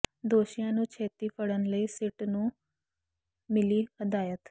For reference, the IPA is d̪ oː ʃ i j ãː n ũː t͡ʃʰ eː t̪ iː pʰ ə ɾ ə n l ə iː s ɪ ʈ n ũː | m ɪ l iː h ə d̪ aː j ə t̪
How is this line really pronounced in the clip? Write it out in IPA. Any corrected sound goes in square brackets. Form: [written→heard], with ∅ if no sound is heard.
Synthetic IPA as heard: d̪ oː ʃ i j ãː n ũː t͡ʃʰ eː t̪ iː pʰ ə [ɾ→ɽ] ə n l ə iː s ɪ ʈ n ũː | m ɪ l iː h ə d̪ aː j ə t̪